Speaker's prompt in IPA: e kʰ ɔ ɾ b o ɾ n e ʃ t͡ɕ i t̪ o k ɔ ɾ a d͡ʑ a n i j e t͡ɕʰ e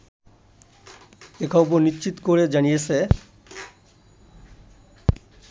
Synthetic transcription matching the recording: e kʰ ɔ b o ɾ n i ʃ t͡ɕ i t̪ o k o ɾ e d͡ʑ a n i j e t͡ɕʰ e